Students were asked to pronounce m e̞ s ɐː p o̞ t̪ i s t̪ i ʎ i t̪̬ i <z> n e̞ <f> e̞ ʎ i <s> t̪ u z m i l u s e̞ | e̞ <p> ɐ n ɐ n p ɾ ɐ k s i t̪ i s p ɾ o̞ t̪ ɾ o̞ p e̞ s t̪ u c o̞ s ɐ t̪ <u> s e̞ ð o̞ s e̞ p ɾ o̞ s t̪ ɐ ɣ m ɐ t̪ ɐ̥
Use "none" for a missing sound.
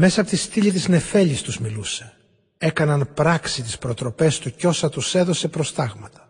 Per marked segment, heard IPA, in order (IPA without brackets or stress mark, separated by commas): z, f, s, k, u